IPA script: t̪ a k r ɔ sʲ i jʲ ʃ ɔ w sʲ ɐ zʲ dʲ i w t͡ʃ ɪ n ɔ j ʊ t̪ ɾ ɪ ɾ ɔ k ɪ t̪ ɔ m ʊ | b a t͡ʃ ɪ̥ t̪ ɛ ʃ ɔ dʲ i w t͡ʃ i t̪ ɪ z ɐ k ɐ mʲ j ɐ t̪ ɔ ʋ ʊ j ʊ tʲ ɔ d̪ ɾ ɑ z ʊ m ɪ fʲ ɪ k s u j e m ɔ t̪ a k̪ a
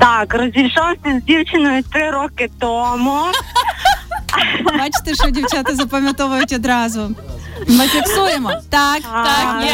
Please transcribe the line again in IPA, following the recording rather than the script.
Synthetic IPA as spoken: t̪ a k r ɔ zʲ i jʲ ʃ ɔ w sʲ ɐ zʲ dʲ i w t͡ʃ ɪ n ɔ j ʊ t̪ ɾ ɪ ɾ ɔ k ɪ t̪ ɔ m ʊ | b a t͡ʃ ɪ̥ t̪ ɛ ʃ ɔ dʲ i w t͡ʃ a t̪ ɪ z ɐ p ɐ mʲ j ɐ t̪ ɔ ʋ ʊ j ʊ tʲ ɔ d̪ ɾ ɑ z ʊ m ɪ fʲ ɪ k s u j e m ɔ t̪ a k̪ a